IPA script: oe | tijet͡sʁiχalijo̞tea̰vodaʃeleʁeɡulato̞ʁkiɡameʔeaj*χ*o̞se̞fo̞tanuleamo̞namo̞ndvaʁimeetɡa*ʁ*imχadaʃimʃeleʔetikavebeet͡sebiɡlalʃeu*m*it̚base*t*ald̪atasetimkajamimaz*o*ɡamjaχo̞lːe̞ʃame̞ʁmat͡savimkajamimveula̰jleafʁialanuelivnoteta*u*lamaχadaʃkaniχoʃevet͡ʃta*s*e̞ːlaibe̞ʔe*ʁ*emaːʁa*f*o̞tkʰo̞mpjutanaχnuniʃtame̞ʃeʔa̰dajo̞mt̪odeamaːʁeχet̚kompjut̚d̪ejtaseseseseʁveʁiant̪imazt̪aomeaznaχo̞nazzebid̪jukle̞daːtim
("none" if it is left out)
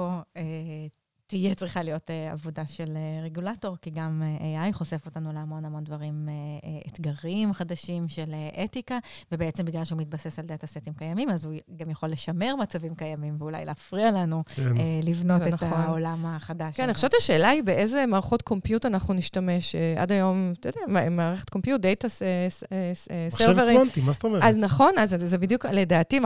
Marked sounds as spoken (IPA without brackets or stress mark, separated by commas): χ, ʁ, m, s, u, o, ʃ, z, χ